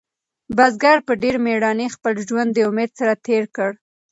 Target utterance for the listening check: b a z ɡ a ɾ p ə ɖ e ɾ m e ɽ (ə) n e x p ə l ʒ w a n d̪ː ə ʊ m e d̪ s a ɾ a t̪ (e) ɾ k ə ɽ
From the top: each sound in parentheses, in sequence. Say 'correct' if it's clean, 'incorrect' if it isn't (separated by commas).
incorrect, correct